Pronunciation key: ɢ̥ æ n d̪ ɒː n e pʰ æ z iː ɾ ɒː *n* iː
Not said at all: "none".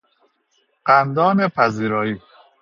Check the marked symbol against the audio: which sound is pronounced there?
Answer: none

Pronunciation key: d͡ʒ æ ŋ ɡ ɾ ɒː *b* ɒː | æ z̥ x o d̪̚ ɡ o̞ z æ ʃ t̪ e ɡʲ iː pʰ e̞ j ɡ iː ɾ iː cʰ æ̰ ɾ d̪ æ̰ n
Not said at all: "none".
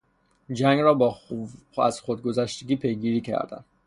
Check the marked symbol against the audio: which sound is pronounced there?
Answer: b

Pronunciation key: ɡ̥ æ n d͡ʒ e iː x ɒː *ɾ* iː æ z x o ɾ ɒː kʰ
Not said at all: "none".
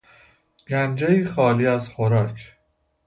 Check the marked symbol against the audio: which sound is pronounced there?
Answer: l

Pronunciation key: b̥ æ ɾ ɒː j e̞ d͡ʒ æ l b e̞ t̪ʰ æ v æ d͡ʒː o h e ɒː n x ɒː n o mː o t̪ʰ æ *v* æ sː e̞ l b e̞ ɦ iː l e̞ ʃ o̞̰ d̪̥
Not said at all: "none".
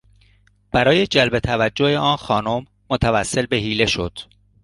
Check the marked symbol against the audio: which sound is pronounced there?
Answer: v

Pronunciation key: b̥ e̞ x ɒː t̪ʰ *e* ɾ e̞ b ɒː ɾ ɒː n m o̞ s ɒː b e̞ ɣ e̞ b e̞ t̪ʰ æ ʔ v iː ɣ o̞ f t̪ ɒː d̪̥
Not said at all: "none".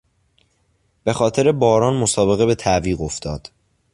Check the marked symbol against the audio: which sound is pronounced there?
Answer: e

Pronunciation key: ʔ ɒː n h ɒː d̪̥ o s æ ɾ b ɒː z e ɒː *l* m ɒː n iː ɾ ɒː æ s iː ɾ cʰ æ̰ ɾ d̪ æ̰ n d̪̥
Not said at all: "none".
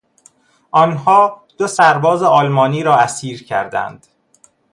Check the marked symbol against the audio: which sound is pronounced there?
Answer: l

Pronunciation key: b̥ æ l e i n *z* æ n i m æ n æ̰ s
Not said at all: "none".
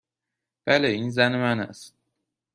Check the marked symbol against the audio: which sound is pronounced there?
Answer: z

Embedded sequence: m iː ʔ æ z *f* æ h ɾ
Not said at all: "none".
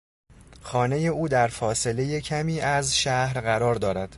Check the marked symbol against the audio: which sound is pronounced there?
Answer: ʃ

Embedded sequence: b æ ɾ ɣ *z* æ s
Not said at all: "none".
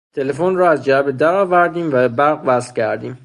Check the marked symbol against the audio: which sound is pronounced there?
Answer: v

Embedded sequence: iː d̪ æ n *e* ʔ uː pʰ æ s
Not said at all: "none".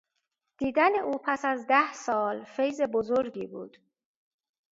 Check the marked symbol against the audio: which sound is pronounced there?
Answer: e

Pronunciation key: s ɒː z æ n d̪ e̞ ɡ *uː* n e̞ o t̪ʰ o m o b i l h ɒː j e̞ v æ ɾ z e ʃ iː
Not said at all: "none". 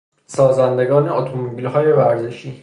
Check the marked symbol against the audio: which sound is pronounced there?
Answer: ɒː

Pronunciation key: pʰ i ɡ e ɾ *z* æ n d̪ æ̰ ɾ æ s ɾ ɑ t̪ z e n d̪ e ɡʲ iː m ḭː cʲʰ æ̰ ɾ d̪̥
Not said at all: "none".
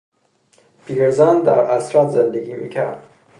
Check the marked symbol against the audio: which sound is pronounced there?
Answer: z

